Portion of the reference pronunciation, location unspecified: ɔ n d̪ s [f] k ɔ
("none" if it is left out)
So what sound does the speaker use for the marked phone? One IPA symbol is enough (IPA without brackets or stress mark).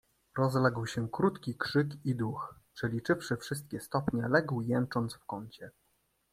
f